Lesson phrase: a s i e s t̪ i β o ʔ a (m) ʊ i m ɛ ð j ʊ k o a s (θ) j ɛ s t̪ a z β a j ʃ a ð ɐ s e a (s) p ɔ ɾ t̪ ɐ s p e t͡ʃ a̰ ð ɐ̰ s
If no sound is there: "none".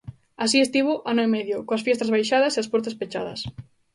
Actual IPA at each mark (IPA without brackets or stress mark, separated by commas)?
n, f, s